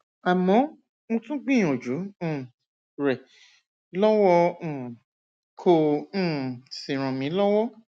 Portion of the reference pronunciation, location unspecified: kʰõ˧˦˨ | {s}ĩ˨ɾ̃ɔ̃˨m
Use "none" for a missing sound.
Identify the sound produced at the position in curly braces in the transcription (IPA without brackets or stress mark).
s